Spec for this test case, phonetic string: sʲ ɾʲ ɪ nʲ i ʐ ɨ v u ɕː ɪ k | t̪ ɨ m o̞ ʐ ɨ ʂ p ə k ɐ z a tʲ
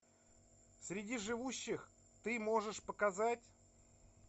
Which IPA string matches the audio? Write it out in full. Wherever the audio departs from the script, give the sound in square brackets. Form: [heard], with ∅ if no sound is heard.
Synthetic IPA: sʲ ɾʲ ɪ [dʲ] i ʐ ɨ v u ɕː ɪ [x] | t̪ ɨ m o̞ ʐ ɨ ʂ p ə k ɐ z a tʲ